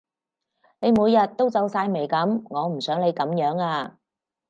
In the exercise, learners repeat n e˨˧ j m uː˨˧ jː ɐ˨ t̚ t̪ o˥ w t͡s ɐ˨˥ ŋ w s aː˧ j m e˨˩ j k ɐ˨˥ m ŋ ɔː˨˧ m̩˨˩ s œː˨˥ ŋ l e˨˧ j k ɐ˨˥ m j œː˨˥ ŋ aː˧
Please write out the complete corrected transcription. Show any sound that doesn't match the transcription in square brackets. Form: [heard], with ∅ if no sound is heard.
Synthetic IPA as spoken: n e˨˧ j m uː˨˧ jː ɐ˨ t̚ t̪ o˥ w t͡s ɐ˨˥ [∅] w s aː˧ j m e˨˩ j k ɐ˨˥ m ŋ ɔː˨˧ m̩˨˩ s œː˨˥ ŋ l e˨˧ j k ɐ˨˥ m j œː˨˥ ŋ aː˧